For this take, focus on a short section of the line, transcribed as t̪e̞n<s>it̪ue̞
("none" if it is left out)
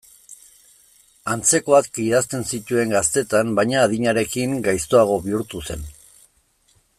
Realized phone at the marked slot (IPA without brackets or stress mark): s